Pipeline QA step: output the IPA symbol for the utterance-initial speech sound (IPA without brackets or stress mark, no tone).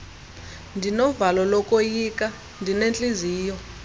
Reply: n